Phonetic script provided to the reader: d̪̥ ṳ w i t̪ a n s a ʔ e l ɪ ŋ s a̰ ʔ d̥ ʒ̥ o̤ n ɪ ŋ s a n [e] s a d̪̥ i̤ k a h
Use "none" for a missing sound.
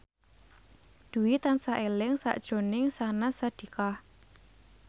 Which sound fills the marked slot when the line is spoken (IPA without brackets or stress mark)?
a